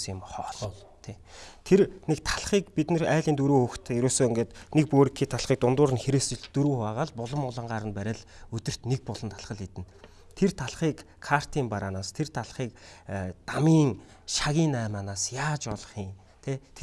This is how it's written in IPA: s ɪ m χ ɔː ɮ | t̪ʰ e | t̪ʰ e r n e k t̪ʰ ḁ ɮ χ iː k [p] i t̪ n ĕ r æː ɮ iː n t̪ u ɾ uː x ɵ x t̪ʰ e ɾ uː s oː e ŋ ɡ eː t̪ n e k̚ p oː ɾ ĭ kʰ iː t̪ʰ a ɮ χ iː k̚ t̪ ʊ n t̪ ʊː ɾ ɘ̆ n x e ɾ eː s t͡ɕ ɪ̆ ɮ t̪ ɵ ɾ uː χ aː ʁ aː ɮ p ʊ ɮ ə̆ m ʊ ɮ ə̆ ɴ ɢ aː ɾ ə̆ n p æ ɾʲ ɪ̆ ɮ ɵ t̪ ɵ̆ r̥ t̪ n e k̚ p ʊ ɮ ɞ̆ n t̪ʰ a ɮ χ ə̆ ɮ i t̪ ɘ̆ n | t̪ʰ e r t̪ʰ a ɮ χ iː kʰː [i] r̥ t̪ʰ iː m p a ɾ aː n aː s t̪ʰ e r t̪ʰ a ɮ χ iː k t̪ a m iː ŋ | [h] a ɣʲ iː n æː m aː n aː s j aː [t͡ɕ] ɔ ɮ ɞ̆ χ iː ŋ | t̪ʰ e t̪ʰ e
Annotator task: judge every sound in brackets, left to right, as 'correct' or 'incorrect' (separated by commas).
correct, incorrect, incorrect, correct